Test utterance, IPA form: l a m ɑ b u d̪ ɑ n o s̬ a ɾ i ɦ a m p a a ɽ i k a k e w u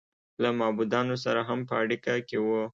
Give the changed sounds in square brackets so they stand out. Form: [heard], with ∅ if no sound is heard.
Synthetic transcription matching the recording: l a m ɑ b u d̪ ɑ n o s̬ a ɾ [a] ɦ a m p [ə] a ɽ i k a k e w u